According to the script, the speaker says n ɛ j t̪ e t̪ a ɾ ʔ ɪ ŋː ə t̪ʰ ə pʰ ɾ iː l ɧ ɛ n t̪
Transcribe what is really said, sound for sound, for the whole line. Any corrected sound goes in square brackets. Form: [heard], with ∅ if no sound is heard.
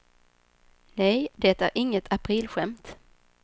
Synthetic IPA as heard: n ɛ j [d̪] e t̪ [æ] ɾ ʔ ɪ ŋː ə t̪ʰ [a] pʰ ɾ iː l ɧ ɛ [m] t̪

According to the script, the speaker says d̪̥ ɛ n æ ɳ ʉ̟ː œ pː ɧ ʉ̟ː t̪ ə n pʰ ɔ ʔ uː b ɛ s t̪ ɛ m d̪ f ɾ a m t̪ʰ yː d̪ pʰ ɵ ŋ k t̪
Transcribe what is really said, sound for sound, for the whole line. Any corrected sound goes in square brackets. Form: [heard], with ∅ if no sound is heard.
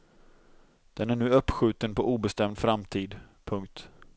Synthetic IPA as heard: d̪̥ ɛ n æ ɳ ʉ̟ː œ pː ɧ ʉ̟ː t̪ ə n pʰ ɔ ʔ uː b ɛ s t̪ ɛ m d̪ f ɾ a m t̪ʰ [iː] d̪ pʰ ɵ ŋ k t̪

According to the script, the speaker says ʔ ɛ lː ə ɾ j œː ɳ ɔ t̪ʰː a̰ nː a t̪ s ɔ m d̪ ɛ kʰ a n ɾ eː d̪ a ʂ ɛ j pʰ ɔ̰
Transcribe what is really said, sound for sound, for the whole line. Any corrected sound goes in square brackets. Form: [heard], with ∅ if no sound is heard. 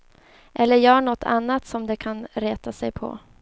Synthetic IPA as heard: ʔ ɛ lː ə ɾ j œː ɳ ɔ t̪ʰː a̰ nː a t̪ s ɔ m d̪ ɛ kʰ a n ɾ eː [t̪] a [s] ɛ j pʰ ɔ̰

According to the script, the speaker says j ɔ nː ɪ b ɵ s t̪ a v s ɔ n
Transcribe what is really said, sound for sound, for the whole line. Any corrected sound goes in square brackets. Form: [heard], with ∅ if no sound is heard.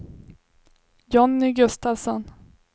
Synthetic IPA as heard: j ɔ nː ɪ [ɡ] ɵ s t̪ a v s ɔ n

